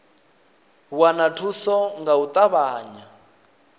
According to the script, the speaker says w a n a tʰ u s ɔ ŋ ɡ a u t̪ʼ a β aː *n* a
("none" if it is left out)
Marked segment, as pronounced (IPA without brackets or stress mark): ɲ